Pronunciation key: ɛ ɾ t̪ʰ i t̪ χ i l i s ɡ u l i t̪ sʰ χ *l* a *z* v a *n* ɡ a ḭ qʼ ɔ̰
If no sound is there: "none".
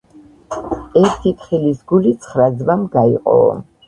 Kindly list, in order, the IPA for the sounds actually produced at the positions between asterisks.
ɾ, z, m

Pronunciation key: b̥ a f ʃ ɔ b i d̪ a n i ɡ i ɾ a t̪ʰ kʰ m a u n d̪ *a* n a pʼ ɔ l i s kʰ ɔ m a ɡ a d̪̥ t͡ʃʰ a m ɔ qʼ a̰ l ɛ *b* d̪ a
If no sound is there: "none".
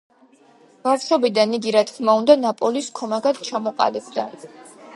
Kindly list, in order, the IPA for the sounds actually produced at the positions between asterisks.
a, b

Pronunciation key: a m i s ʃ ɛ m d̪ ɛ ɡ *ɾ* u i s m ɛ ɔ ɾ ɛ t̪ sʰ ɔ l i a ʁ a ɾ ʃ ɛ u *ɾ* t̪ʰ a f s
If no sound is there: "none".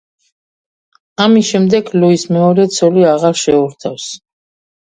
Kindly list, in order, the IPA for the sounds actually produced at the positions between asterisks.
l, ɾ

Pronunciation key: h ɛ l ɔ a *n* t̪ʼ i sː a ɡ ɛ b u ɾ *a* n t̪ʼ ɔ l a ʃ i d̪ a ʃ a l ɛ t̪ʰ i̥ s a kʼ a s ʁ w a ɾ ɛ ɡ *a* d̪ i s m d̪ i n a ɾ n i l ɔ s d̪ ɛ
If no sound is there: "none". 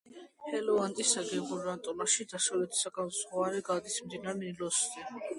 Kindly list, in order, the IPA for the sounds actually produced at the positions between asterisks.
n, a, a

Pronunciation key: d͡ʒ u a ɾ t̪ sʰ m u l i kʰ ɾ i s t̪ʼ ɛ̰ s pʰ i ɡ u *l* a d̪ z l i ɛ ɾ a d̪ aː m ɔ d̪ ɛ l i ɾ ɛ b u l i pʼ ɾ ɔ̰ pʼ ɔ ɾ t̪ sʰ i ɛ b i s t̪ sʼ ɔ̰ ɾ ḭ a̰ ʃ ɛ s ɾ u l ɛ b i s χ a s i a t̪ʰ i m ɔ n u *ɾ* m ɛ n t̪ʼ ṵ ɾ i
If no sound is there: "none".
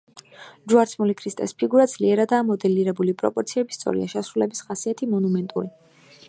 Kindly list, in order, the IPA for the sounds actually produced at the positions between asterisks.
ɾ, none

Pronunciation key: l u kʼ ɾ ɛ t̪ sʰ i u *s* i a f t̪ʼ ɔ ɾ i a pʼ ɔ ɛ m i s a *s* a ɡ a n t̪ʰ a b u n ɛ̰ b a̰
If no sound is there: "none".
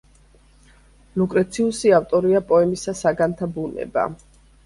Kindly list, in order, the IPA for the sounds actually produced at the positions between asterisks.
s, s

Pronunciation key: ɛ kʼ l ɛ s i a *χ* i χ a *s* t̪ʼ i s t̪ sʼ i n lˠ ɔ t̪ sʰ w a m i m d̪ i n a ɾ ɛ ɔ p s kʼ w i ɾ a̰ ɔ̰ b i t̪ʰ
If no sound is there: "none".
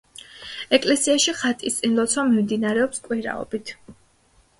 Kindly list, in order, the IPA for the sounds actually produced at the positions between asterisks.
ʃ, none

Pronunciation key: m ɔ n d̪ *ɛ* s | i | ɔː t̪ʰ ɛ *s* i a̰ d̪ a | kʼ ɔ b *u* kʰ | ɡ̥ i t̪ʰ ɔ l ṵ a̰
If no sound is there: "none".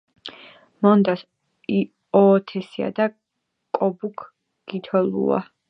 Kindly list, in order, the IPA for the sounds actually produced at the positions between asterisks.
a, s, u

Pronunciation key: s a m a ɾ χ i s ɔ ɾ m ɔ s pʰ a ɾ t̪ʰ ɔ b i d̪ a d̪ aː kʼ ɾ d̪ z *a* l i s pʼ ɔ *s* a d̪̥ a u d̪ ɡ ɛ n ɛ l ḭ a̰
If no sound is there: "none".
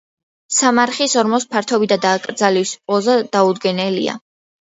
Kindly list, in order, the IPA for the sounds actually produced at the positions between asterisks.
a, z

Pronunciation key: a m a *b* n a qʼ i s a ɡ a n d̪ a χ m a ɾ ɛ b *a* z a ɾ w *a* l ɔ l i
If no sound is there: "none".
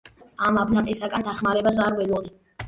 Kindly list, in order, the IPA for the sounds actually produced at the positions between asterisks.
b, a, ɛ

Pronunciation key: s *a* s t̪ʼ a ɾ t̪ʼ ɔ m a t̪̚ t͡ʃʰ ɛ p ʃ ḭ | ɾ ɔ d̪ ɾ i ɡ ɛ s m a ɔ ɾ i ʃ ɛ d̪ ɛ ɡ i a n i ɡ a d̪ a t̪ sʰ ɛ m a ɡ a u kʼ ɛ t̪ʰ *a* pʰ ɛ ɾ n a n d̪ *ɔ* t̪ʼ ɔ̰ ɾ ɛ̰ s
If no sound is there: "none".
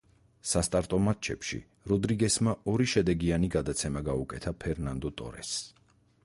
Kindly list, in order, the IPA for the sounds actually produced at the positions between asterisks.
a, a, ɔ

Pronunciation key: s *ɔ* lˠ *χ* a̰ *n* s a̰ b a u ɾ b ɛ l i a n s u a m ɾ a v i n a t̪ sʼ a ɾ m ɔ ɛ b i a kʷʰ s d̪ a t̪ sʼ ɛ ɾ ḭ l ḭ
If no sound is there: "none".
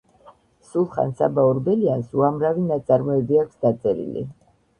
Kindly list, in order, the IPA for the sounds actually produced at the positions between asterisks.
u, χ, n

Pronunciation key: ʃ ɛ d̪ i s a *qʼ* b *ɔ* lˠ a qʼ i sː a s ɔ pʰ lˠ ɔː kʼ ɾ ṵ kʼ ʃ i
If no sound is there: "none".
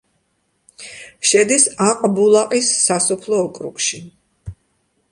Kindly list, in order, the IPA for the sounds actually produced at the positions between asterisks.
qʼ, u

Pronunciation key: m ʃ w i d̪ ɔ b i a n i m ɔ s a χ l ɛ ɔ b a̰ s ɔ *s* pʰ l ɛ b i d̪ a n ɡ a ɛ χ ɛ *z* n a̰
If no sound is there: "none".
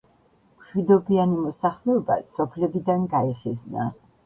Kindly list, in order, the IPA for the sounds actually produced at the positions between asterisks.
none, z

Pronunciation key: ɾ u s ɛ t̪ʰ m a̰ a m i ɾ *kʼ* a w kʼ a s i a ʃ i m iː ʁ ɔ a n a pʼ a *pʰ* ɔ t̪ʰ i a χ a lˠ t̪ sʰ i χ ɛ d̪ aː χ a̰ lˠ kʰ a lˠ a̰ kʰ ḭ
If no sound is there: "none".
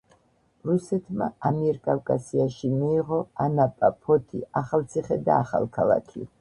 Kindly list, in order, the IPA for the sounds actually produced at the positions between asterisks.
kʼ, pʰ

